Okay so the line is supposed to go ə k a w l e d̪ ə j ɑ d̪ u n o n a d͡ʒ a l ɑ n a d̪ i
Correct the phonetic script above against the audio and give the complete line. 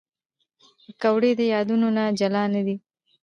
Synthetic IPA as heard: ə k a w ɽ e d̪ ə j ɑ d̪ u n o n a d͡ʒ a l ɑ n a d̪ i